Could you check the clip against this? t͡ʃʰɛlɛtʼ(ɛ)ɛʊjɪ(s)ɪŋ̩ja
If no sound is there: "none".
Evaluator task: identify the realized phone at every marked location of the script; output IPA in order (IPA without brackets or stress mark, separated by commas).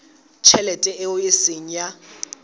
ɛ, s